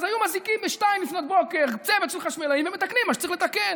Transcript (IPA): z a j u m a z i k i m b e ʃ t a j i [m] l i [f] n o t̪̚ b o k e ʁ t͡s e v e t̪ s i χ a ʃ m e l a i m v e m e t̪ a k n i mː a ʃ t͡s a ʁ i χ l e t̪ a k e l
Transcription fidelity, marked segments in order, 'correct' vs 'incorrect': correct, correct

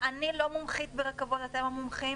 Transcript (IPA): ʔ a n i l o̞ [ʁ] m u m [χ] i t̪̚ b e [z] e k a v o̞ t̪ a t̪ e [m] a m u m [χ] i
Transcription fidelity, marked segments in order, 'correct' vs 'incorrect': incorrect: none, correct, incorrect: ʁ, correct, correct

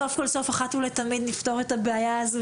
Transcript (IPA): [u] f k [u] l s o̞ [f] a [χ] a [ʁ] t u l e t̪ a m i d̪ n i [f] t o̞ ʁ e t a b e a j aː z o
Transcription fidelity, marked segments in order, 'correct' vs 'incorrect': incorrect: o, incorrect: o, correct, correct, incorrect: none, correct

